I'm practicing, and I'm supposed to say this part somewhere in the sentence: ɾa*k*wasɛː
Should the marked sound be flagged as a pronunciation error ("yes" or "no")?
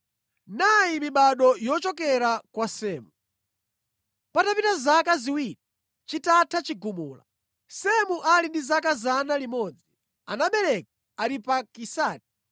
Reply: no